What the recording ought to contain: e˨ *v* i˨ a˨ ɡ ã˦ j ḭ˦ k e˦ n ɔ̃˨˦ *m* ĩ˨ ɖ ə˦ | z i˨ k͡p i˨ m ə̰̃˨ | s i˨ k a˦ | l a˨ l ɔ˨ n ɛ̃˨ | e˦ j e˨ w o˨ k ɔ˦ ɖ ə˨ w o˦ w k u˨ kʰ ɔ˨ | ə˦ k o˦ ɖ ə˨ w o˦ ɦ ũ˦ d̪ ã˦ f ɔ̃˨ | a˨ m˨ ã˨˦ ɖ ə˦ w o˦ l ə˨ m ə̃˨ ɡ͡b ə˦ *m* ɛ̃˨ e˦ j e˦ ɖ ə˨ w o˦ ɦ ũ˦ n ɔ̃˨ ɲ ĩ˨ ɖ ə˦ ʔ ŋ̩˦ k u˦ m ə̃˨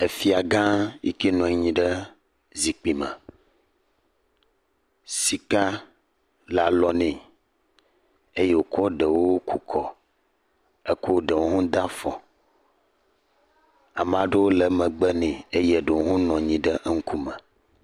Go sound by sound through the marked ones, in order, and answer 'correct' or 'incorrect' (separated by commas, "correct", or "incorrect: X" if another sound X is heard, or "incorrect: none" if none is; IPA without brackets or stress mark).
incorrect: f, incorrect: ɲ, incorrect: n